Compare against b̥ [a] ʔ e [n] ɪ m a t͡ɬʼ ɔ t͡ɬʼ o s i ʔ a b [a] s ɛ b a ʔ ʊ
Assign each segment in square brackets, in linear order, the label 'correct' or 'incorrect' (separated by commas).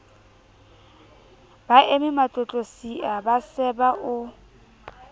correct, incorrect, correct